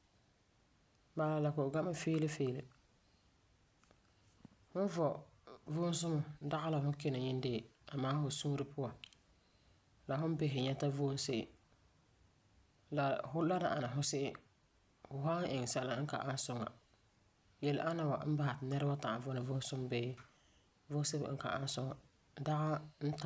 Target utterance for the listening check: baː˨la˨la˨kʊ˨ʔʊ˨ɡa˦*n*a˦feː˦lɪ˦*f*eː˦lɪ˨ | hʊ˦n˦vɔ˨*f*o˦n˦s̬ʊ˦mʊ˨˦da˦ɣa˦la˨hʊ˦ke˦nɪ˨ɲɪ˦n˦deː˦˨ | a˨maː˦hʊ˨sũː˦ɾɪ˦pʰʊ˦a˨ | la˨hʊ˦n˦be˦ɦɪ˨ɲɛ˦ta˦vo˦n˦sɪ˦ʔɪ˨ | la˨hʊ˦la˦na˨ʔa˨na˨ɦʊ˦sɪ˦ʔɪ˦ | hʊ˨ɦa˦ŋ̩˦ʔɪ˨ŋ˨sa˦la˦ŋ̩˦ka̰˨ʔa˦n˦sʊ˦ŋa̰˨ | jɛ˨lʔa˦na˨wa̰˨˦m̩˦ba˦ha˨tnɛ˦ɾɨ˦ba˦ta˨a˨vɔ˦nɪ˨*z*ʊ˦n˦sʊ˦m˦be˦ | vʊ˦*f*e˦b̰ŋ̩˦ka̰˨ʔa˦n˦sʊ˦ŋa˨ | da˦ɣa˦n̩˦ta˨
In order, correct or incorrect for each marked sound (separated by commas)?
incorrect, correct, incorrect, incorrect, incorrect